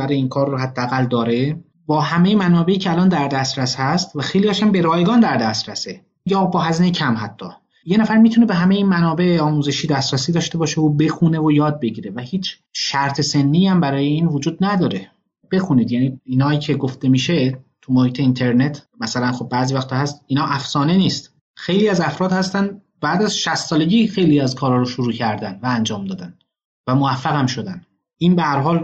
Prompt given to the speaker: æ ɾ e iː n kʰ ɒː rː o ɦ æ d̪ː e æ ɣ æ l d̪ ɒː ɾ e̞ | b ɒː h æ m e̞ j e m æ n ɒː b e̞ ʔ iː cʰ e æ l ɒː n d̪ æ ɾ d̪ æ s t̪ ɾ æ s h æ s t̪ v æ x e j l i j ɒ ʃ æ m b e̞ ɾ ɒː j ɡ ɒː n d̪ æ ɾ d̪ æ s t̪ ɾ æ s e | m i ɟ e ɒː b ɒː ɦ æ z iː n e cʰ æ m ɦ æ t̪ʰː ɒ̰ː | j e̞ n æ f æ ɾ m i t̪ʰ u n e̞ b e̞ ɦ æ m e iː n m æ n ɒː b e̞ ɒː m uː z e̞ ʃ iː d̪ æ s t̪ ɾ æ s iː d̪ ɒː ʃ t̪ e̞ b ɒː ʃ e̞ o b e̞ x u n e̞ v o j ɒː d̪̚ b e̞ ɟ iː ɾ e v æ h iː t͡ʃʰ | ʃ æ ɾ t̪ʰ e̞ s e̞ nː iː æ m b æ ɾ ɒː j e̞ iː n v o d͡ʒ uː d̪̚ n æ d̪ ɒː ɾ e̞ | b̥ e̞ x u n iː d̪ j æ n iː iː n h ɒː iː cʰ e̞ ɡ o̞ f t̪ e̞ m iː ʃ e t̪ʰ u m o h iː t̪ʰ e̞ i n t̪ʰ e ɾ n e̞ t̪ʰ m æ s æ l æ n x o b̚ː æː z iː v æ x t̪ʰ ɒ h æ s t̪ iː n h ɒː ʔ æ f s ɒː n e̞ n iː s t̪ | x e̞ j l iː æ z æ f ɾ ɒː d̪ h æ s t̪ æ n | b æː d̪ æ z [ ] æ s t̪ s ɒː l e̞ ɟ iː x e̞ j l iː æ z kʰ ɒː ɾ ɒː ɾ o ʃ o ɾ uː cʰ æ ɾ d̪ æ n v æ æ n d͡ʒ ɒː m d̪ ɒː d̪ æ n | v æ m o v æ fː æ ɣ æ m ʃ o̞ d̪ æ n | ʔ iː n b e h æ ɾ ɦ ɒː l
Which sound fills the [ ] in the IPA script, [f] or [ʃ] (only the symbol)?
ʃ